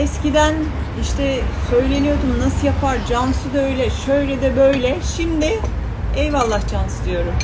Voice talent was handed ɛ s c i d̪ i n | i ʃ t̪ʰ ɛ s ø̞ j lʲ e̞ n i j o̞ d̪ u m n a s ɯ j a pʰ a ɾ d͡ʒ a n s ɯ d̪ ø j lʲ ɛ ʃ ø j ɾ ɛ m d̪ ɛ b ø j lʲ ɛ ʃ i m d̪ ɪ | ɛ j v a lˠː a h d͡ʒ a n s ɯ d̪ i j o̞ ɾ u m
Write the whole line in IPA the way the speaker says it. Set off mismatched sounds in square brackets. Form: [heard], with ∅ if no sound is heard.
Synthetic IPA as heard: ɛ s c i d̪ [æ] n | i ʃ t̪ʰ ɛ s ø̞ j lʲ e̞ n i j o̞ d̪ u m n a s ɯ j a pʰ a ɾ d͡ʒ a n s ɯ d̪ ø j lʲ ɛ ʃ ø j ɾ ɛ [∅] d̪ ɛ b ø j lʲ ɛ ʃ i m d̪ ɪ | ɛ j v a lˠː a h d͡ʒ a n s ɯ d̪ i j o̞ ɾ u m